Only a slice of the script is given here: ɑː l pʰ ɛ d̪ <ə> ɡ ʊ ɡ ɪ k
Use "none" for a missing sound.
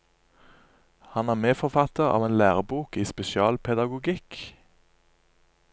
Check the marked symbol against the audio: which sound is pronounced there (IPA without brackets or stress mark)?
ɑ